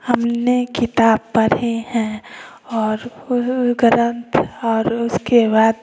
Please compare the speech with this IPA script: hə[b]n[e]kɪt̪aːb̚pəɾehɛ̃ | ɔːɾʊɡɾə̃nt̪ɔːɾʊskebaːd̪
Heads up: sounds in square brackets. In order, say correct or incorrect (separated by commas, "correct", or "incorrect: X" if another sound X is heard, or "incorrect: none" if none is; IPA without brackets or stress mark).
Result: incorrect: m, correct